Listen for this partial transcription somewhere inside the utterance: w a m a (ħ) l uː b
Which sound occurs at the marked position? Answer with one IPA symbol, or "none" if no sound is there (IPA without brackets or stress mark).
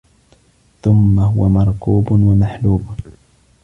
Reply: ħ